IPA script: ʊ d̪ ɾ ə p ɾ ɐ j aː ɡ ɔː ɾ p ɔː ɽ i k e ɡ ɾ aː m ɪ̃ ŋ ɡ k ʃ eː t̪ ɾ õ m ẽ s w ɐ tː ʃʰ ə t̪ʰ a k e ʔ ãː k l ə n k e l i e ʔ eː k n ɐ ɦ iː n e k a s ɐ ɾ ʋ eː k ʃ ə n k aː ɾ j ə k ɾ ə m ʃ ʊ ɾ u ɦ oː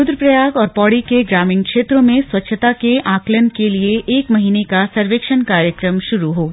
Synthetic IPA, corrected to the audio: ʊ d̪ ɾ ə p ɾ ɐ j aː ɡ ɔː ɾ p ɔː ɽ i k e ɡ ɾ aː m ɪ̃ ŋ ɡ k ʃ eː t̪ ɾ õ m ẽ s w ɐ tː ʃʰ ə t̪ a k e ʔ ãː k l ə n k e l i e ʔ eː k m ɐ ɦ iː n e k a s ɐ ɾ ʋ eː k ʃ ə n k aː ɾ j ə k ɾ ə m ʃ ʊ ɾ u ɦ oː